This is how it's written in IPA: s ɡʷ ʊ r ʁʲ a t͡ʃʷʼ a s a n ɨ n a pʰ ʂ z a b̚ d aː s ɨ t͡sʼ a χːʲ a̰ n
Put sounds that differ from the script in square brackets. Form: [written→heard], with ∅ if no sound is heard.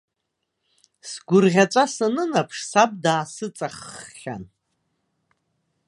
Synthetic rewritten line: s ɡʷ ʊ r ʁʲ a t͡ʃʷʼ a s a n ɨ n a pʰ ʂ [z→s] a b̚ d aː s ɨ t͡sʼ a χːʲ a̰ n